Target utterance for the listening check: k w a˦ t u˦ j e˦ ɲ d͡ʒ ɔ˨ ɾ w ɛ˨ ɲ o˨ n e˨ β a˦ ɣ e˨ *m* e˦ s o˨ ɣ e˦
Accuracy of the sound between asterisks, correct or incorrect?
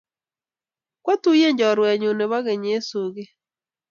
incorrect